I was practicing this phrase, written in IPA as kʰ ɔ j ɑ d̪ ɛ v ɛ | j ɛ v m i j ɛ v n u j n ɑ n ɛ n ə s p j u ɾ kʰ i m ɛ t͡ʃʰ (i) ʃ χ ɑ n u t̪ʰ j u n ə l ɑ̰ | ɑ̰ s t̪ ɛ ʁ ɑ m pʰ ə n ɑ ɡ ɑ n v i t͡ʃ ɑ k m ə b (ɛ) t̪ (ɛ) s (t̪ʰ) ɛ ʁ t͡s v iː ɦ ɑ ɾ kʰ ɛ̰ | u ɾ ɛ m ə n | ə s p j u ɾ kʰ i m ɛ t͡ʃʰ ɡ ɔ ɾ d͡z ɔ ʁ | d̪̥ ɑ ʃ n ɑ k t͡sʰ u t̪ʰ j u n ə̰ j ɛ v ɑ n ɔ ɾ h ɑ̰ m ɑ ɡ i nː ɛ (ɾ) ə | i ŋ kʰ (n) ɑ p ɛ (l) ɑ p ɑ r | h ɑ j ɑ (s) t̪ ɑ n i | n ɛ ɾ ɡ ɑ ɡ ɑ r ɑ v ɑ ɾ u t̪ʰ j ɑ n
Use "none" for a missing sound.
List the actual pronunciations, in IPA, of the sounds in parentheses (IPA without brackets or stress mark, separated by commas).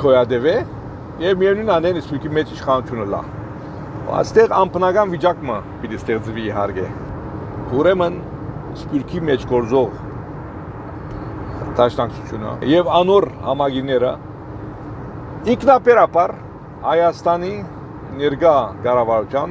i, i, i, t̪, ɾ, n, ɾ, s